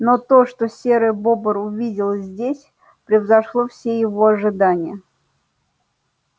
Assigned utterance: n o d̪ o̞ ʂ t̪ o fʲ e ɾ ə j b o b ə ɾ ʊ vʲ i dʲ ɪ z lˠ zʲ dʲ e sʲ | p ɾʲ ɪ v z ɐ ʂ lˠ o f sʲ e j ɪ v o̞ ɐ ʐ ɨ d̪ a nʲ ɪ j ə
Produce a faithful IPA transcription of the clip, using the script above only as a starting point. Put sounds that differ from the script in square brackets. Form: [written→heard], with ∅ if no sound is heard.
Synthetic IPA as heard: n o [d̪→t̪] o̞ ʂ t̪ o [fʲ→sʲ] e ɾ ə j b o b ə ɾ ʊ vʲ i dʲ ɪ [z→∅] lˠ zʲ dʲ e sʲ | p ɾʲ ɪ v z ɐ ʂ lˠ o f sʲ e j ɪ v o̞ ɐ ʐ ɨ d̪ a nʲ ɪ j ə